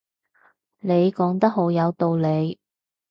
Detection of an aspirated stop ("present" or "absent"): absent